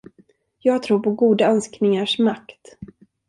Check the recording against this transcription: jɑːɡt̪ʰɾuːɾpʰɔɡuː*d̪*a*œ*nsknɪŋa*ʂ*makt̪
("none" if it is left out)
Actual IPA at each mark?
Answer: d̪, œ, ʂ

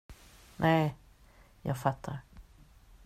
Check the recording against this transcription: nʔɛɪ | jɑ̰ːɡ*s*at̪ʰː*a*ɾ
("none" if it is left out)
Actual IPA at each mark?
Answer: f, a

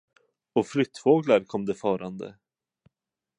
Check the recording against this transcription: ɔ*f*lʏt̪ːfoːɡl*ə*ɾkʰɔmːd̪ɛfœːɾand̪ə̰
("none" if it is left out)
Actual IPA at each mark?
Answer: f, a

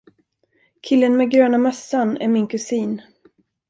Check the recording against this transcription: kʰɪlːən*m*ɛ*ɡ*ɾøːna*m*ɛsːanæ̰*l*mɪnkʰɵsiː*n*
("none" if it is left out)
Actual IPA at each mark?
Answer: m, ɡ, m, ɾ, n

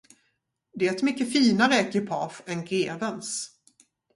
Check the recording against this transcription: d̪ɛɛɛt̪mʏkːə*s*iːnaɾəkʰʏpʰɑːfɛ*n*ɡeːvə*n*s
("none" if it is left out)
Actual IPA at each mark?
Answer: f, n, n

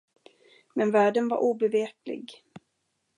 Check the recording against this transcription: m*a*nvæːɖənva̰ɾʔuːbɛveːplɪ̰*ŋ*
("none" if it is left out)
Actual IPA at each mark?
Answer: ɛ, ɡ

